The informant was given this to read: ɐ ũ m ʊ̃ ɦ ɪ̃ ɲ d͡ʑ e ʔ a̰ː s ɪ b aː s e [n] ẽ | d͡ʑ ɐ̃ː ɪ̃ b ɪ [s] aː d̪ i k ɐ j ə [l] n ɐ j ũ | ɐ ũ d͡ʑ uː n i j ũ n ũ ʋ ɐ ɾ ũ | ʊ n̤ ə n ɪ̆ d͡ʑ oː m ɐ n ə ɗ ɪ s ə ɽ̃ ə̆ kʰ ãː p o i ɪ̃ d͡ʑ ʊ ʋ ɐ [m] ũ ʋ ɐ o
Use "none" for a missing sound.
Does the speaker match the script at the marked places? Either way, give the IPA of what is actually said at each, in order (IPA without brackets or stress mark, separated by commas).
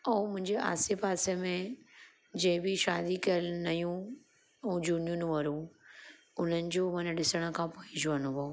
m, ʃ, l, n